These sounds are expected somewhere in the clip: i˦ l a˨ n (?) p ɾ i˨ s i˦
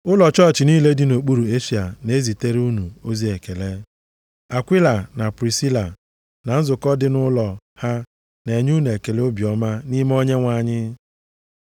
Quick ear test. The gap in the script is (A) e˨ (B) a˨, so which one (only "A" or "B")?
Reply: B